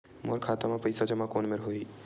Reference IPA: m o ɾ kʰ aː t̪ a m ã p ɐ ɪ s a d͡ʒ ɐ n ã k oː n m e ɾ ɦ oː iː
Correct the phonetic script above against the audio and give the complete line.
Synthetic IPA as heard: m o ɾ kʰ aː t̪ a m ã p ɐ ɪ s a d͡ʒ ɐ m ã k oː n m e ɾ ɦ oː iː